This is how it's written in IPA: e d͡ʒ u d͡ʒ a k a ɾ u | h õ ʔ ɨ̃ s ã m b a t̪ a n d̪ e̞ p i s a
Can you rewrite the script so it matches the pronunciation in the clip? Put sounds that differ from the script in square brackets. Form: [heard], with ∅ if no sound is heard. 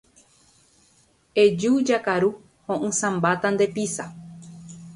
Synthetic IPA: e d͡ʒ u d͡ʒ a k a ɾ u | h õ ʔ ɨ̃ s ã m b a t̪ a n d̪ e̞ p i s a